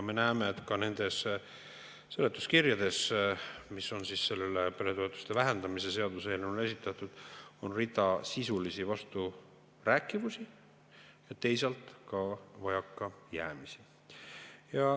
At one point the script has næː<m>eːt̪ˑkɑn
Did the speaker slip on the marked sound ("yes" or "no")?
no